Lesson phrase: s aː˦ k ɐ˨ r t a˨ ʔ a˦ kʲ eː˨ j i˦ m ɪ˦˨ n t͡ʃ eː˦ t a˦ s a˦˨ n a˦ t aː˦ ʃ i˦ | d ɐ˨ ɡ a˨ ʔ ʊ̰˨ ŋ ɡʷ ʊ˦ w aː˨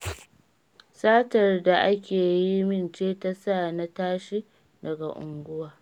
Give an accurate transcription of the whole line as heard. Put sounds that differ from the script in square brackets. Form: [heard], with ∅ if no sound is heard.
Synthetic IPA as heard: s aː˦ [t] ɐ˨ r [d] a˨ ʔ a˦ kʲ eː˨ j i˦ m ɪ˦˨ n t͡ʃ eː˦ t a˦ s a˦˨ n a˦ t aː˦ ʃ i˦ | d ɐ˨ ɡ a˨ ʔ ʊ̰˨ ŋ ɡʷ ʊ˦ w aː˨